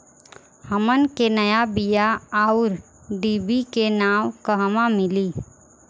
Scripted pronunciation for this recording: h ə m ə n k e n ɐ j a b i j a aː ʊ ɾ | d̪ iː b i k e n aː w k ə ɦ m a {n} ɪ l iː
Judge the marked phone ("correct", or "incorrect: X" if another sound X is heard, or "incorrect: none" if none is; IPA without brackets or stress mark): incorrect: m